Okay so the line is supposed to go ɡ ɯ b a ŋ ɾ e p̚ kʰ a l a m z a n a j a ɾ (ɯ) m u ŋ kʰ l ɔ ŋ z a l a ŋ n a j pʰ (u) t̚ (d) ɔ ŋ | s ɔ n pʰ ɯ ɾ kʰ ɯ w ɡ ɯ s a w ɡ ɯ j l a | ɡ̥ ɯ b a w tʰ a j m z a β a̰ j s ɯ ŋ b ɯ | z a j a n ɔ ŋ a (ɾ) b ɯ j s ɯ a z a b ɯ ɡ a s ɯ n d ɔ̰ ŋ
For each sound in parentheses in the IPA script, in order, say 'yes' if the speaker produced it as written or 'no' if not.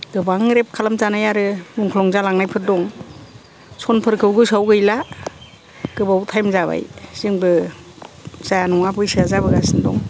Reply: yes, no, yes, no

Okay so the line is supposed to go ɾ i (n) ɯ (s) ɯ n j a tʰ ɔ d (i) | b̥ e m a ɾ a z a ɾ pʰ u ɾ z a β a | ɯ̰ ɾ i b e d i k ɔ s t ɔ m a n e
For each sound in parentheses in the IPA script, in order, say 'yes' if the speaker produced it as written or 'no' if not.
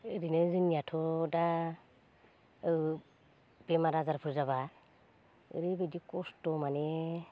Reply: yes, no, no

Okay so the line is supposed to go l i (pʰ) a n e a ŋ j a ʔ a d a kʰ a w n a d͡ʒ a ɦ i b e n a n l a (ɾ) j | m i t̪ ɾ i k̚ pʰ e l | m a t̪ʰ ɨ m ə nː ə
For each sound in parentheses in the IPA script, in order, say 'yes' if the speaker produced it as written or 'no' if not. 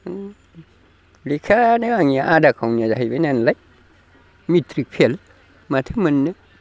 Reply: no, no

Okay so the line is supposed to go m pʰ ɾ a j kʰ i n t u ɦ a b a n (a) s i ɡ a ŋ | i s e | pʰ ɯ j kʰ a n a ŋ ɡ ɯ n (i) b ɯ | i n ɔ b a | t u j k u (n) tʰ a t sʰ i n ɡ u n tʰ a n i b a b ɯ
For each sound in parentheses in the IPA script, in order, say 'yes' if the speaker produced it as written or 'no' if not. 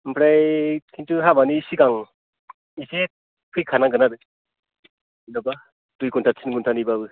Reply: no, no, yes

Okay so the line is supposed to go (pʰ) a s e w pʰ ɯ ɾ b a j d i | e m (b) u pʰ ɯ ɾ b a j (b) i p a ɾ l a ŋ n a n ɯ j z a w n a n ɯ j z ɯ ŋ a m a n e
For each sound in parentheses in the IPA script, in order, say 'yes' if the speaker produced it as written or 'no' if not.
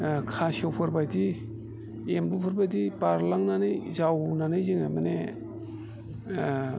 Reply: no, yes, no

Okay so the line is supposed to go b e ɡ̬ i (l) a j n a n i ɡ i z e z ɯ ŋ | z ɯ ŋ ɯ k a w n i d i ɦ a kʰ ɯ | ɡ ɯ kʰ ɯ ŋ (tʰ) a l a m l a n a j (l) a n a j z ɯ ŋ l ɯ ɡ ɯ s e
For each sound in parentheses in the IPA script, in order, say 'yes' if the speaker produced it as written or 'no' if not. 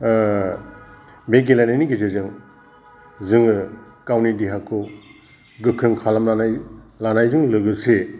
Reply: yes, no, yes

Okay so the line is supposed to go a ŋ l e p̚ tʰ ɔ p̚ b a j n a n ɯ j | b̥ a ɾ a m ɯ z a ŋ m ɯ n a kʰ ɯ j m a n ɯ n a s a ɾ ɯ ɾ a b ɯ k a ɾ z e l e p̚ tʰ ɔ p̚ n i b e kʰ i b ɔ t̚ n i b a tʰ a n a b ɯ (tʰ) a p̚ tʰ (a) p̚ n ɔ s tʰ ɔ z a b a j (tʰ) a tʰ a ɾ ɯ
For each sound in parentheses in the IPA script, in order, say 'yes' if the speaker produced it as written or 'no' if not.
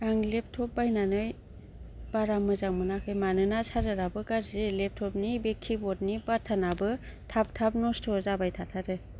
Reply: yes, yes, yes

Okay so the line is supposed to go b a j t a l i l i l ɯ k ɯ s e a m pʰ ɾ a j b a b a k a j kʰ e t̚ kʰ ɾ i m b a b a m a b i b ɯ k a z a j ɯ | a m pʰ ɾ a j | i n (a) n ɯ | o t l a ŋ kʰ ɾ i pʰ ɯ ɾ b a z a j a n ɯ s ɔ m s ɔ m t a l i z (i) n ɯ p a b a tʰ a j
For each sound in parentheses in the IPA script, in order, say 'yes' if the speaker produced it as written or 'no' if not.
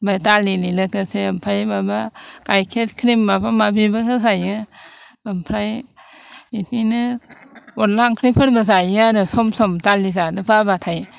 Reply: no, no

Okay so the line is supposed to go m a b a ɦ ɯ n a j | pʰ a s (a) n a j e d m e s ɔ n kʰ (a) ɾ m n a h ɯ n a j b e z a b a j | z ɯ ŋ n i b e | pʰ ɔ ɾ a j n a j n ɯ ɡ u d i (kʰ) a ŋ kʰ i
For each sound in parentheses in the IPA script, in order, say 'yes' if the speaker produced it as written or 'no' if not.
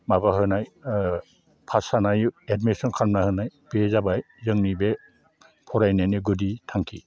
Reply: yes, yes, no

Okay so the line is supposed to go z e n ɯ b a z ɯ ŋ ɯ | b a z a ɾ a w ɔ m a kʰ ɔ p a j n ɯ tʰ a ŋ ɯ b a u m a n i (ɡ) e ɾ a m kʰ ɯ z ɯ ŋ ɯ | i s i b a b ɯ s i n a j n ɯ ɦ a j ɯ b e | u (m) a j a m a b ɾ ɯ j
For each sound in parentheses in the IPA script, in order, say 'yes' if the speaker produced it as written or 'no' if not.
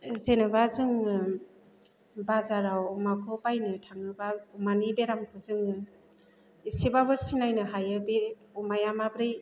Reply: no, yes

